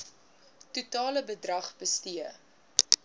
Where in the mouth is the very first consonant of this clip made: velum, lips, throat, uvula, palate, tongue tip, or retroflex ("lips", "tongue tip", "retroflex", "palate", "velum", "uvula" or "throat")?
tongue tip